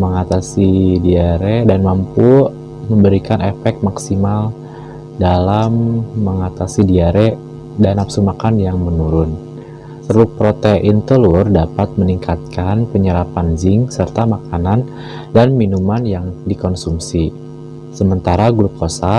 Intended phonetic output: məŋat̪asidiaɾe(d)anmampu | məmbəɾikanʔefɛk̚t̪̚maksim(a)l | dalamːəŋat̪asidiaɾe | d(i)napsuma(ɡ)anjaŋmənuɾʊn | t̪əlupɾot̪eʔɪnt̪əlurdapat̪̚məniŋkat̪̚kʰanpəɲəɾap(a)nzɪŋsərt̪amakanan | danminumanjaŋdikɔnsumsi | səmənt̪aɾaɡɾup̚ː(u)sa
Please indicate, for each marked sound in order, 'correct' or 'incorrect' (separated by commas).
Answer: correct, correct, incorrect, incorrect, correct, incorrect